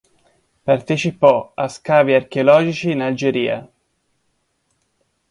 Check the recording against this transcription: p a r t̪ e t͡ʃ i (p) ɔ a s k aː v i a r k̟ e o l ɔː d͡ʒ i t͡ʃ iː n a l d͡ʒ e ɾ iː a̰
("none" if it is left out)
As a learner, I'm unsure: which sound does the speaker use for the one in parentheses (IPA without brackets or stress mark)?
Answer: p